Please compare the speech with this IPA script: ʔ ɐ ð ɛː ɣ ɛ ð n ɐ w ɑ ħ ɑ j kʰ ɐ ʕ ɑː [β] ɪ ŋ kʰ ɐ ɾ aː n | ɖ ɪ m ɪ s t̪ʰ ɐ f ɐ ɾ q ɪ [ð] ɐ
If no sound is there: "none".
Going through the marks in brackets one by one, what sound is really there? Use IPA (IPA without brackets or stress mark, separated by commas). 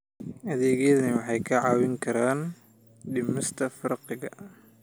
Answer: w, ɣ